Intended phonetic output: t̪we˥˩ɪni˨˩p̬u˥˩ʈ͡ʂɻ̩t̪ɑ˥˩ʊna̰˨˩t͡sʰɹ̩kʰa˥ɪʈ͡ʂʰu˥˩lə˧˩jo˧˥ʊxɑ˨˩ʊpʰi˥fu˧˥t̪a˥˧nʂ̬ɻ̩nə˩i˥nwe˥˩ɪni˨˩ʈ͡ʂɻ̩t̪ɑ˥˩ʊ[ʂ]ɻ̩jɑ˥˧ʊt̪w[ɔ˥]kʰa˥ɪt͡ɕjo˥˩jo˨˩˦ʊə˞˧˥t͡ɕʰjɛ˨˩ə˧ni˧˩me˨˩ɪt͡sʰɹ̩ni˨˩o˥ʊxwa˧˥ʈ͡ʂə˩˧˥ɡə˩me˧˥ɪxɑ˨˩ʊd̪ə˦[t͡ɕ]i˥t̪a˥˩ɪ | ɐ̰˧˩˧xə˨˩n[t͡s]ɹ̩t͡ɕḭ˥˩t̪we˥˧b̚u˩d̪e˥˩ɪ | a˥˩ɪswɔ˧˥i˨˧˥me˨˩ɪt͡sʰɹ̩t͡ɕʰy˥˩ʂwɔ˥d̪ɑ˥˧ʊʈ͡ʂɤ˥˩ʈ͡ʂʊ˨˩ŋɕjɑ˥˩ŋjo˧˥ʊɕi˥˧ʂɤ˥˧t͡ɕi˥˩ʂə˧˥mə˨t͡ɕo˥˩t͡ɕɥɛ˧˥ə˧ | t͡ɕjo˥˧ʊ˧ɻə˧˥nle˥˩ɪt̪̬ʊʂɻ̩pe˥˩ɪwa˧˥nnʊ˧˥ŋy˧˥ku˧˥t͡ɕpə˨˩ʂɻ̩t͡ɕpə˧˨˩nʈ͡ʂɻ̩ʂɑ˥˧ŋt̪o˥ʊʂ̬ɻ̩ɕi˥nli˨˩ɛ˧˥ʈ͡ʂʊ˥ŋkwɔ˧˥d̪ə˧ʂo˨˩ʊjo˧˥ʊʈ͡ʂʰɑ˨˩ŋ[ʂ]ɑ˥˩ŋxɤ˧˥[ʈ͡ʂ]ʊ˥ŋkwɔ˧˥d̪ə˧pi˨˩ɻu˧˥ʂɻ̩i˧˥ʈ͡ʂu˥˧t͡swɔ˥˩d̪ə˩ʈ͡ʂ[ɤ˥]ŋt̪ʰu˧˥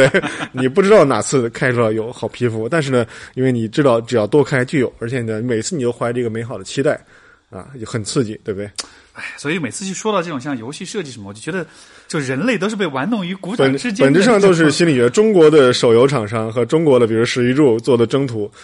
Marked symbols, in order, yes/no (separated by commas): no, yes, no, no, yes, yes, yes